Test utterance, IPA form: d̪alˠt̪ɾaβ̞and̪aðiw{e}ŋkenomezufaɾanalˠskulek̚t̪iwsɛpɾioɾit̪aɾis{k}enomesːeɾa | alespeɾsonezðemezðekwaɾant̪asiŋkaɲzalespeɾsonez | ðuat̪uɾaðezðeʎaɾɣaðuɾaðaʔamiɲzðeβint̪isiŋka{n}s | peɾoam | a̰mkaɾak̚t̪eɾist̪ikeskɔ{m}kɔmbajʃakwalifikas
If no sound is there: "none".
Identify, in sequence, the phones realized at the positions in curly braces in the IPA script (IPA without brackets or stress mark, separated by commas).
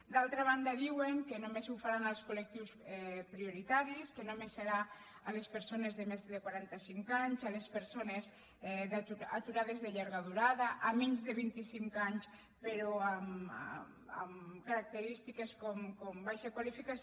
e, k, ɲ, m